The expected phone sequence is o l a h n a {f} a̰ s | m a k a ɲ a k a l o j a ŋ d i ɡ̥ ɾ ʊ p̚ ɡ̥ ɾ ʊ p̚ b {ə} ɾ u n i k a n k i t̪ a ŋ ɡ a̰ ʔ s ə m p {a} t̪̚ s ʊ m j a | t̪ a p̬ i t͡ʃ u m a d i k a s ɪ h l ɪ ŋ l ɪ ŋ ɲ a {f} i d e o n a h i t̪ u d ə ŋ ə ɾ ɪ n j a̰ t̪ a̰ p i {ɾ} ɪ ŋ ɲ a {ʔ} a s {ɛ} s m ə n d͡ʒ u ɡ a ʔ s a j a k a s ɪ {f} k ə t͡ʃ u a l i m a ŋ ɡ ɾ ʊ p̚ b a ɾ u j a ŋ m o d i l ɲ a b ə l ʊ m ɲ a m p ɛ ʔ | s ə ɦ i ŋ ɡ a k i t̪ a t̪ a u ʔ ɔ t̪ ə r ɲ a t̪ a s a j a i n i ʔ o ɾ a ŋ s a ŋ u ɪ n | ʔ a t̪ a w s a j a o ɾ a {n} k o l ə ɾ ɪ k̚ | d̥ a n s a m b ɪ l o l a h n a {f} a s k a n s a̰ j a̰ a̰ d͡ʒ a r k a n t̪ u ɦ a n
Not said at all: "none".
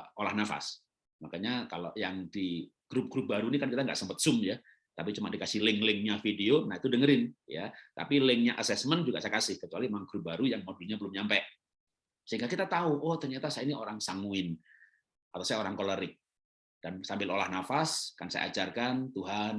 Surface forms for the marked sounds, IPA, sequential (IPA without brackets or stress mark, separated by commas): f, a, ə, f, l, ʔ, ɛ, h, ŋ, f